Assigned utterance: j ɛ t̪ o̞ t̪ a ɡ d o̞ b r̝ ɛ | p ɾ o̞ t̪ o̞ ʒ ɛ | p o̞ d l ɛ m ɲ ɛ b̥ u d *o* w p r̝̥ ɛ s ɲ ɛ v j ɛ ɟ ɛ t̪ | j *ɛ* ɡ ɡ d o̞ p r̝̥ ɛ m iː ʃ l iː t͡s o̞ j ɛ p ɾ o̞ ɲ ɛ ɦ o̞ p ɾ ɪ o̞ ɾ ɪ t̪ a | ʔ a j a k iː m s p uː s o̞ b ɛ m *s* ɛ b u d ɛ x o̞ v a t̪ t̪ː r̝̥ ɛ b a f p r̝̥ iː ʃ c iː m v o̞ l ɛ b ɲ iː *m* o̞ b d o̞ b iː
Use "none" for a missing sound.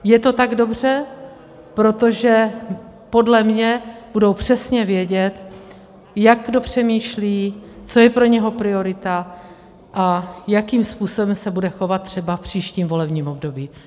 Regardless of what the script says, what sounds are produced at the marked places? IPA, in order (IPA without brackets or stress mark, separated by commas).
o, a, s, m